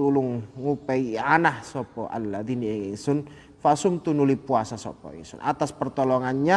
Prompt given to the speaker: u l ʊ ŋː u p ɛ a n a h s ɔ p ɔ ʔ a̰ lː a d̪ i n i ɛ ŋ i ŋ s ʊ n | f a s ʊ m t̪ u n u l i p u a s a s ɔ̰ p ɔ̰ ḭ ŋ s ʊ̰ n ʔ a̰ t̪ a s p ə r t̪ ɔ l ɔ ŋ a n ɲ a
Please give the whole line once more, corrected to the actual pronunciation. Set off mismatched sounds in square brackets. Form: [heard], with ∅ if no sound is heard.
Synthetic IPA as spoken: u l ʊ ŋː u p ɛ a n a h s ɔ p ɔ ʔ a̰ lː a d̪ i n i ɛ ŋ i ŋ s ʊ n | f a s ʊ m t̪ u n u l i p u a s a s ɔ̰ p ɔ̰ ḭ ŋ s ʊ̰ n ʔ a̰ t̪ a s p ə r t̪ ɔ l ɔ ŋ a n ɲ a